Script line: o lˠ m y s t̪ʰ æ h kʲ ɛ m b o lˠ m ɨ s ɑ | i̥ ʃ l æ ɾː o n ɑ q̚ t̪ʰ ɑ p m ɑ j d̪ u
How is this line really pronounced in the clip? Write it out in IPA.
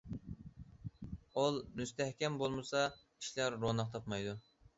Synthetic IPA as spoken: o lˠ m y s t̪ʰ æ h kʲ ɛ m b o lˠ m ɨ s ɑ | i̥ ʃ l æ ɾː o n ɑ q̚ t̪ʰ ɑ p m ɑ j d̪ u